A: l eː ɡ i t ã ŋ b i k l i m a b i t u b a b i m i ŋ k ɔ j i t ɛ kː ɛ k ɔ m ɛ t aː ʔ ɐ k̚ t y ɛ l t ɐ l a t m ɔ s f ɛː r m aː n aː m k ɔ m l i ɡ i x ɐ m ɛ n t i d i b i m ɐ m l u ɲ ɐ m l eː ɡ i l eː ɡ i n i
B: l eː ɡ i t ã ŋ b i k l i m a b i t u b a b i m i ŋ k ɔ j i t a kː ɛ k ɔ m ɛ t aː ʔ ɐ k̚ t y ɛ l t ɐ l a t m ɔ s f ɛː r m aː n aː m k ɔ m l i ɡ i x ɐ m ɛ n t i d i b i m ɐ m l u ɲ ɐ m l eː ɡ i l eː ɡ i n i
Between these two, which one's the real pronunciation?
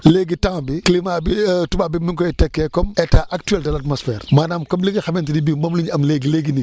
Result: A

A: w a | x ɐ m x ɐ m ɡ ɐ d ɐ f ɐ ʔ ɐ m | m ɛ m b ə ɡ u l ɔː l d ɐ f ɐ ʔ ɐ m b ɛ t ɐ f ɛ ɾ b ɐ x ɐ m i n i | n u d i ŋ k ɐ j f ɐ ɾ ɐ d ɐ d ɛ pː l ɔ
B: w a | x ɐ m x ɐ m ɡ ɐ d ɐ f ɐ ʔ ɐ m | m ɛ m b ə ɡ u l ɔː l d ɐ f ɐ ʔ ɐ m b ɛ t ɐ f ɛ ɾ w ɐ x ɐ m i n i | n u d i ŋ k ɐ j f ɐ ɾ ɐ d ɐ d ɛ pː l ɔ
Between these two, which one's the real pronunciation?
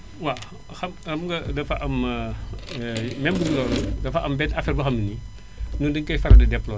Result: A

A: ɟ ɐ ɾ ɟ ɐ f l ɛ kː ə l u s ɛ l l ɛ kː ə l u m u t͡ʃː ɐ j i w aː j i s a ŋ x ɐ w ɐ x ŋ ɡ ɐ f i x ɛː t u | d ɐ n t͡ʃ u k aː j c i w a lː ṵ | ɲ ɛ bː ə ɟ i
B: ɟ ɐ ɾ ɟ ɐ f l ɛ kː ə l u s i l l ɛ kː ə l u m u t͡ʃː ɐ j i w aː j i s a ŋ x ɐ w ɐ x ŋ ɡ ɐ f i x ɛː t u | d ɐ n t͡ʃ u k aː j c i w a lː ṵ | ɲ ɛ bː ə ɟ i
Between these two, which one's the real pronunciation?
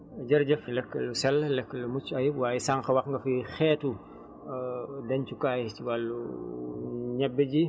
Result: A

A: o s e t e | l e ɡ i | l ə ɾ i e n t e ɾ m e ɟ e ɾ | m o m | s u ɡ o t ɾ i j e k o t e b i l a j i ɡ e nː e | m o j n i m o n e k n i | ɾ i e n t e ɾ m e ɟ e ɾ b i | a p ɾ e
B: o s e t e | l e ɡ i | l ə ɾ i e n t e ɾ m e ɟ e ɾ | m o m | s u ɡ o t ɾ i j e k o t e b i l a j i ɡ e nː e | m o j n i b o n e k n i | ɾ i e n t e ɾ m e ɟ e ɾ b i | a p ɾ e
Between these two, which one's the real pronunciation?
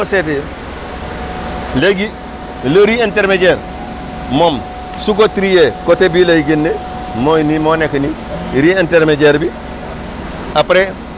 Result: A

